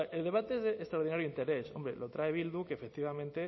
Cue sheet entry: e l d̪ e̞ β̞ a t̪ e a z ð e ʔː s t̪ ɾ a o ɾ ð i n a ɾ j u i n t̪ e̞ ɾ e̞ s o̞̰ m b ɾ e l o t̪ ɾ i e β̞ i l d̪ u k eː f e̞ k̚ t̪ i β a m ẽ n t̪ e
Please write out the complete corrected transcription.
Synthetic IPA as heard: e l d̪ e̞ β̞ a t̪ e e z ð e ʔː s t̪ ɾ a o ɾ ð i n a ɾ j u i n t̪ e̞ ɾ e̞ s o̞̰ m b ɾ e l o t̪ ɾ a e β̞ i l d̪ u k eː f e̞ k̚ t̪ i β a m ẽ n t̪ e